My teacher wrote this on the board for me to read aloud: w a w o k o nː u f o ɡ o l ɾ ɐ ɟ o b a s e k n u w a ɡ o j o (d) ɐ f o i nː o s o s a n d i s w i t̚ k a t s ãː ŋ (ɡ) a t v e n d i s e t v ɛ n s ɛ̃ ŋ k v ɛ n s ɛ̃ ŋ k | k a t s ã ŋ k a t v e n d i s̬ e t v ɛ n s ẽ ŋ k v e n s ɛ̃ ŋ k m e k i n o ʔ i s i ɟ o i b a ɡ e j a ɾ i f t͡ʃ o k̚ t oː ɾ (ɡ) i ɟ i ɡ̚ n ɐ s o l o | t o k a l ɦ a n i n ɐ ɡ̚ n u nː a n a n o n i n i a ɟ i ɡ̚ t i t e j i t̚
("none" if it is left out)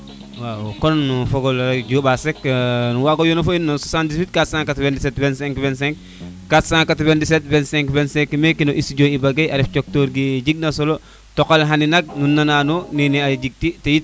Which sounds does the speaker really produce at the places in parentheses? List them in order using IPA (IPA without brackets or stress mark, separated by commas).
n, k, ɡ